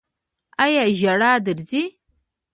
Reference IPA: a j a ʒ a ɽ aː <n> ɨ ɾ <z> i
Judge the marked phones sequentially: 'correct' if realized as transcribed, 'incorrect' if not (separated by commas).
incorrect, correct